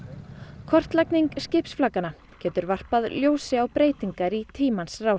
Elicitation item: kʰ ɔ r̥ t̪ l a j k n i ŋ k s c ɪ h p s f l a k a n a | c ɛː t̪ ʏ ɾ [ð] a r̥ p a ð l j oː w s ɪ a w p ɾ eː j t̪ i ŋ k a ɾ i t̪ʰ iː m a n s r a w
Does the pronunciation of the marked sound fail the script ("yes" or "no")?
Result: yes